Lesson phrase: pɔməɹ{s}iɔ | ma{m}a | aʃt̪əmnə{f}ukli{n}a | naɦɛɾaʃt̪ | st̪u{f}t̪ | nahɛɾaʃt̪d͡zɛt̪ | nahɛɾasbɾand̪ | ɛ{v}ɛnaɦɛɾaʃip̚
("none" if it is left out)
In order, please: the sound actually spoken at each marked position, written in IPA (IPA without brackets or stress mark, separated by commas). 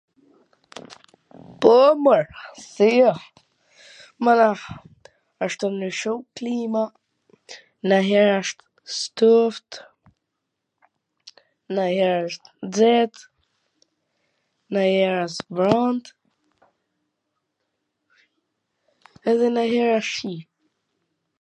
s, n, ʃ, m, f, ð